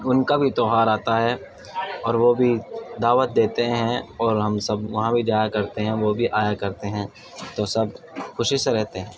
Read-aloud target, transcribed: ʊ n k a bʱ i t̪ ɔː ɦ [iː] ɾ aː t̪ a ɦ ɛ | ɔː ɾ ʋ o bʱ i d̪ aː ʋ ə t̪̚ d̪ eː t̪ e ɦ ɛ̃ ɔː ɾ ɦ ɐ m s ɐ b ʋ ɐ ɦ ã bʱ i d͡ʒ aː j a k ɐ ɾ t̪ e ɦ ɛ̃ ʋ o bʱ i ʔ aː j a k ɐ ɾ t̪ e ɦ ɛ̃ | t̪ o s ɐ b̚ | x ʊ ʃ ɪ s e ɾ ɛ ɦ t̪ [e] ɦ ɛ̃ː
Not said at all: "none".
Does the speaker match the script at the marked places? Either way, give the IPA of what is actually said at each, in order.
aː, e

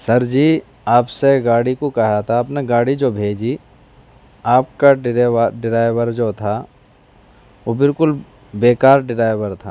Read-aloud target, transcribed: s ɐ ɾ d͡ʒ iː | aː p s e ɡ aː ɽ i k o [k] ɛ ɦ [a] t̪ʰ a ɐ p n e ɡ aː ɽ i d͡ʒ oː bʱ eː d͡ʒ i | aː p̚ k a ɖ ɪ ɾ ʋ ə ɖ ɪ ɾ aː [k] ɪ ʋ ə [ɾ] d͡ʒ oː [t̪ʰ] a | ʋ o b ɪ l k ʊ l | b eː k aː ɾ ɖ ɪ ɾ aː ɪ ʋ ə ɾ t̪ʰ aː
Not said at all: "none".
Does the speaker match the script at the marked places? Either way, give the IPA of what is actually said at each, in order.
k, a, none, ɾ, t̪ʰ

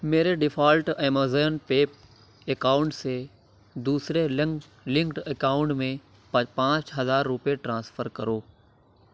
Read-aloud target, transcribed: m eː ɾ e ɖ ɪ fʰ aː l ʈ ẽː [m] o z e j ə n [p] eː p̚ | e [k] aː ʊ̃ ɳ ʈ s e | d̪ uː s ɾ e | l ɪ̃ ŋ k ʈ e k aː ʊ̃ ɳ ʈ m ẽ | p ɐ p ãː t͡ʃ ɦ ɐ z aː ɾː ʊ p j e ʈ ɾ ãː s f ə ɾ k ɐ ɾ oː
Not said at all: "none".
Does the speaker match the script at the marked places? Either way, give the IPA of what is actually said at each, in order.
m, p, k

